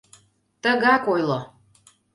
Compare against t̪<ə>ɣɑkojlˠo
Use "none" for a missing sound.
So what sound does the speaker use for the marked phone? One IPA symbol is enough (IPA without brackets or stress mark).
ə